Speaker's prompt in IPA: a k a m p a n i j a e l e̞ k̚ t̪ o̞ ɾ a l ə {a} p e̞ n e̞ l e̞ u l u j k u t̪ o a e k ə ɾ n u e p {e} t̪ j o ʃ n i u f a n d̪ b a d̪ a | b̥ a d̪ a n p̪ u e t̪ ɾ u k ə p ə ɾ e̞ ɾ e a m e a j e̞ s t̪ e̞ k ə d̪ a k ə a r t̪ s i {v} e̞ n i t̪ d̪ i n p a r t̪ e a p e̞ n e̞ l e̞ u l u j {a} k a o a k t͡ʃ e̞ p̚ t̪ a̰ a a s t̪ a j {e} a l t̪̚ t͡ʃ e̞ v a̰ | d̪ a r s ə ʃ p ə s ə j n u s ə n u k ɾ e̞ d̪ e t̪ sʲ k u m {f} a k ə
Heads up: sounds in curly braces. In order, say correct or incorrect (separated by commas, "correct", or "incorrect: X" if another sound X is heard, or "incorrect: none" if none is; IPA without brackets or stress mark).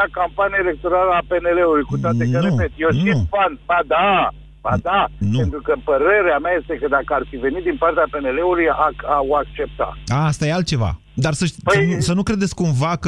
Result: correct, correct, correct, correct, correct, incorrect: v